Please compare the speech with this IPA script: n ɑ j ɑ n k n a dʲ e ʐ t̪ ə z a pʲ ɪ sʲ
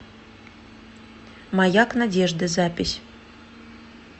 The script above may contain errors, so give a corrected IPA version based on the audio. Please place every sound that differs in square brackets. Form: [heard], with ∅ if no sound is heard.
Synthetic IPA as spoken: [m] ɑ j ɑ [∅] k n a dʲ e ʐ [d̪] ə z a pʲ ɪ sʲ